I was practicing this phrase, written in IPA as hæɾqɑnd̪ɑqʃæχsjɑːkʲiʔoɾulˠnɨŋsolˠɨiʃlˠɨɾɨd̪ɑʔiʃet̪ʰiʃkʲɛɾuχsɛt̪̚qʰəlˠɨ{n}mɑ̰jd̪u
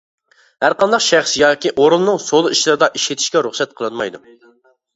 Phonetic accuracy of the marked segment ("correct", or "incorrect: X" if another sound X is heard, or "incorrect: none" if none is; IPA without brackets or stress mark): correct